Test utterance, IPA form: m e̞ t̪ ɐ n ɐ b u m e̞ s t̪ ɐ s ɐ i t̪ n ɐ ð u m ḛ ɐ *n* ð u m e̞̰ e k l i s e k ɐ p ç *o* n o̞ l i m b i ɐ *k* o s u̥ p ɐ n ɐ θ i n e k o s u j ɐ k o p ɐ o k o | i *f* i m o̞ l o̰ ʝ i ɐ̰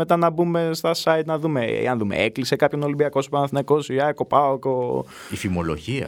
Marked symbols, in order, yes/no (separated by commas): yes, yes, yes, yes